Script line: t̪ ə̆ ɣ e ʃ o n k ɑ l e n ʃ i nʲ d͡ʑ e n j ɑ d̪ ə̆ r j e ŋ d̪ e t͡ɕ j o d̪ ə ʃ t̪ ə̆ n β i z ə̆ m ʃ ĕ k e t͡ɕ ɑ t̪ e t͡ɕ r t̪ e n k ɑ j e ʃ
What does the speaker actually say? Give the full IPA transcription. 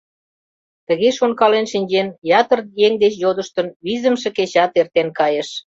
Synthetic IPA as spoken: t̪ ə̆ ɣ e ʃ o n k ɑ l e n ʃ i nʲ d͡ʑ e n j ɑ t̪ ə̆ r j e ŋ d̪ e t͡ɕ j o d̪ ə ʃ t̪ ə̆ n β i z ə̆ m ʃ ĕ k e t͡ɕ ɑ t̪ e r t̪ e n k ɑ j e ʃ